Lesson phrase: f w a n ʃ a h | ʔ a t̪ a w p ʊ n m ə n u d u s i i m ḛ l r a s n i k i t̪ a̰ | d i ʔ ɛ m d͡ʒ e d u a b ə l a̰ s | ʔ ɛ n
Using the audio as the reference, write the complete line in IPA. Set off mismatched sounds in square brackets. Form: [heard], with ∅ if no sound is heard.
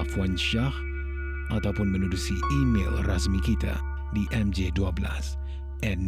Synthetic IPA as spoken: f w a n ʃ a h | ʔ a t̪ a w p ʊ n m ə n u d u s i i m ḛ l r a s [m] i k i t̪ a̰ | d i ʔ ɛ m d͡ʒ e d u a b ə l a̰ s | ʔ ɛ n